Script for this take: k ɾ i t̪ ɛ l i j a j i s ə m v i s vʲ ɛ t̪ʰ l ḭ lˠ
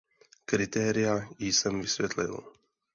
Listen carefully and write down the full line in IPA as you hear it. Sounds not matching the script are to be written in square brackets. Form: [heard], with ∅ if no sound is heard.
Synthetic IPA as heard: k ɾ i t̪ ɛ [ɾ] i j a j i s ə m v i s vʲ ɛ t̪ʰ l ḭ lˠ